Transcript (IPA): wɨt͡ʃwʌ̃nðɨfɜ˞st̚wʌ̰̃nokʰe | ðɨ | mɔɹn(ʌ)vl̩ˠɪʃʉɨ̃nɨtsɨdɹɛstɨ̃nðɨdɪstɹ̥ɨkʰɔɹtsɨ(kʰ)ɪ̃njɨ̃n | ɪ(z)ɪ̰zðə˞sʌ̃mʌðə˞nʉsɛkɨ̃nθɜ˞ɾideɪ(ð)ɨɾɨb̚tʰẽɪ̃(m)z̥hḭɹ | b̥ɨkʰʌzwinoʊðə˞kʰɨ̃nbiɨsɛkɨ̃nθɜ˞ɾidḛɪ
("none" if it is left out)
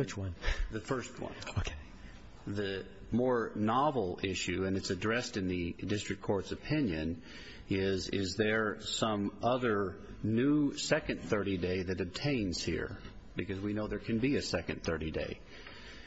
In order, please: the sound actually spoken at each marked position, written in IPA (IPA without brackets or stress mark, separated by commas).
ɑ, pʰ, z, ð, n